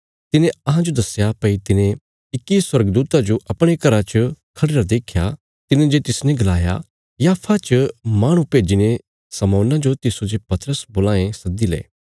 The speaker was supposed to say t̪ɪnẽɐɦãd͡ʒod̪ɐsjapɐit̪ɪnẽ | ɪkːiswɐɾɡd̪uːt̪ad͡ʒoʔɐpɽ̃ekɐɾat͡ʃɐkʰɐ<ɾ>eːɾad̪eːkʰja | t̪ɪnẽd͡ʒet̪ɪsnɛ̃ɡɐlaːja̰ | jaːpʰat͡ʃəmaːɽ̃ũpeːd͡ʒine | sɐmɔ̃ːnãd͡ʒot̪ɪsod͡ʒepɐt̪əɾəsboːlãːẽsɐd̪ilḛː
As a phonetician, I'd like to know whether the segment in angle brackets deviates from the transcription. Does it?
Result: yes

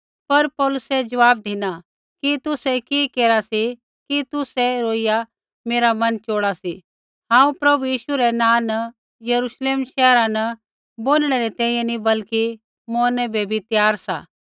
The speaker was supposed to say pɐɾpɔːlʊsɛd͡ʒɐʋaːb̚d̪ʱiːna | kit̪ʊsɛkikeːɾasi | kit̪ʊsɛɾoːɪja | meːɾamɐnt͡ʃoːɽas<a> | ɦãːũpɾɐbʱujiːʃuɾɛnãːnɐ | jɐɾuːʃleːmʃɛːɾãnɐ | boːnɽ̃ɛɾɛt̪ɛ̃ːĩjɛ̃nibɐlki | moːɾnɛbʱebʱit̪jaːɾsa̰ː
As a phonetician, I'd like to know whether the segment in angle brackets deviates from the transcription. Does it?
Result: yes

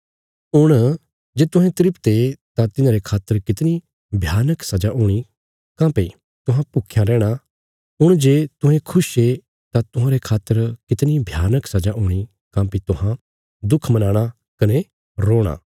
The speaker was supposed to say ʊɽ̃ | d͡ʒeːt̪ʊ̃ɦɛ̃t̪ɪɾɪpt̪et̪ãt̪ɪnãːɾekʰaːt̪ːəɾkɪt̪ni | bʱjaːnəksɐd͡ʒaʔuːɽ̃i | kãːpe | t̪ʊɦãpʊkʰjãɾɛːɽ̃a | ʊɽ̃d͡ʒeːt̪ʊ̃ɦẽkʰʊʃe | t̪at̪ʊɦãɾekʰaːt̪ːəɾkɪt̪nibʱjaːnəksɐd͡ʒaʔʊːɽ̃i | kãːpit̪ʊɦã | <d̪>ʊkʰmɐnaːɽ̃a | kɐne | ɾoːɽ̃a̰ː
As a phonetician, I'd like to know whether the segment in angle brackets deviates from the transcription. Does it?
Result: no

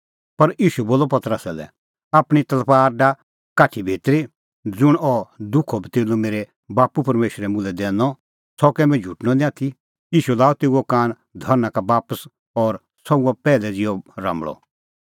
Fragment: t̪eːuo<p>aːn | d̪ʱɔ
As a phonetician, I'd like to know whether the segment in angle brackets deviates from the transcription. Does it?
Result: yes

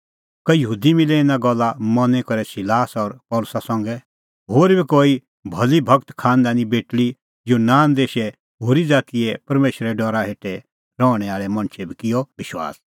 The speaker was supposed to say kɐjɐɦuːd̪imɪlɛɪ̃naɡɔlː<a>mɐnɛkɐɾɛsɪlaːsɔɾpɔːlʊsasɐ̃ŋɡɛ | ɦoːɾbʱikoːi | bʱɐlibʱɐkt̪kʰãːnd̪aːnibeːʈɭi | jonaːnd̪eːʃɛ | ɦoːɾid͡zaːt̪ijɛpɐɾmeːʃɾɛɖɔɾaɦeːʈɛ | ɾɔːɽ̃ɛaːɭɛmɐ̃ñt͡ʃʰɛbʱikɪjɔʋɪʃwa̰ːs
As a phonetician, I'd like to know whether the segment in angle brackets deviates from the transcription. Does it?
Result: no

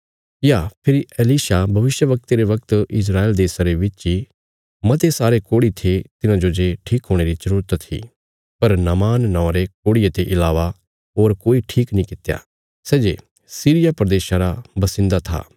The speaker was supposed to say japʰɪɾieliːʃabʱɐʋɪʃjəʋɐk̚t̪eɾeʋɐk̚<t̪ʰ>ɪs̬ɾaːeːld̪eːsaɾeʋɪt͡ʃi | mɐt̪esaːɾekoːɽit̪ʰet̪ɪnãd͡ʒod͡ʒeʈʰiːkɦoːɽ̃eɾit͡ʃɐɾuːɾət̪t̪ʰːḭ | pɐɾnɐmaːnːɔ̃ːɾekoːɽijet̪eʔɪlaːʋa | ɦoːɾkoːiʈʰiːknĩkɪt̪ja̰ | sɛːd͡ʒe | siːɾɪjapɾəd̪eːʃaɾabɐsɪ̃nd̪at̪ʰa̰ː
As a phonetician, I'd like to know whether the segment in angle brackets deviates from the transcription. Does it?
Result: yes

